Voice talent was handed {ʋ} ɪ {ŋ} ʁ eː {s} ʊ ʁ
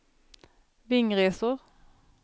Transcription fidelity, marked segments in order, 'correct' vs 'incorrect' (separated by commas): correct, correct, correct